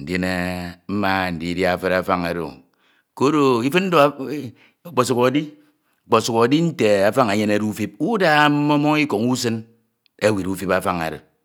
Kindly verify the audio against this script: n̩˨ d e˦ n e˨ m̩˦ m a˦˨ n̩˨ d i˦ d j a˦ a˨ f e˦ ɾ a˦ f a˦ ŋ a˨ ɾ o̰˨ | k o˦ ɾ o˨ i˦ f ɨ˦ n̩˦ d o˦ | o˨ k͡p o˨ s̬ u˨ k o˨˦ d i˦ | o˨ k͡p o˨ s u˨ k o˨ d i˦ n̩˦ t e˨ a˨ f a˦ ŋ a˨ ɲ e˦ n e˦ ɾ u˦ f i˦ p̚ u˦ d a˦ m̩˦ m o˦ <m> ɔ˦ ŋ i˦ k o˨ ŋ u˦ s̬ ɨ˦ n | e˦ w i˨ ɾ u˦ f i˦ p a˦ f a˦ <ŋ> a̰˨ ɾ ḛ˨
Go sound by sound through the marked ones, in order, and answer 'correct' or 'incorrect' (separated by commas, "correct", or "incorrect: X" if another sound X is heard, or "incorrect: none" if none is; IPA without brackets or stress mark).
correct, correct